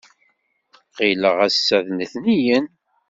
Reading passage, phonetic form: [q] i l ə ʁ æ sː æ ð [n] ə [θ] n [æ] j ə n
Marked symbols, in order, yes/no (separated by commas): yes, yes, yes, no